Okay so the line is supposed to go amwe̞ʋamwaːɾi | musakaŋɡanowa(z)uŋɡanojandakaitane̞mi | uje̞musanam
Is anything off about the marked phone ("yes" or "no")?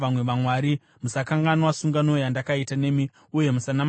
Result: yes